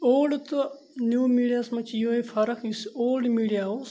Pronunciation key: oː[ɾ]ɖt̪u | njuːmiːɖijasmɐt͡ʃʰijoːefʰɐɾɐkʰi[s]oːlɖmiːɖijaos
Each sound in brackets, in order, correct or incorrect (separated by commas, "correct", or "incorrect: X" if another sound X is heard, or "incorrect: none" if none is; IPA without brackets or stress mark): incorrect: l, correct